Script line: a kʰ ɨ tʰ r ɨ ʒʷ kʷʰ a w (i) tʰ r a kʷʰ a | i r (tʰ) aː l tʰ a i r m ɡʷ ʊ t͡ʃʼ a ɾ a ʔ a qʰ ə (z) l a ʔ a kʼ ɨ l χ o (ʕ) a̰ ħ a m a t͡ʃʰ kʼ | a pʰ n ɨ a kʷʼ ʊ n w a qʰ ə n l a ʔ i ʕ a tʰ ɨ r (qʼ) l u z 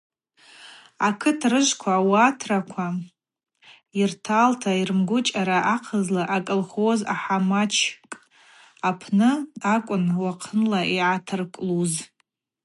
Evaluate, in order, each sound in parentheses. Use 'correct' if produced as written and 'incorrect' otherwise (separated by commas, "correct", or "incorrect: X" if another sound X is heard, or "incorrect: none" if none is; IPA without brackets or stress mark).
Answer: incorrect: a, correct, correct, incorrect: z, incorrect: kʼ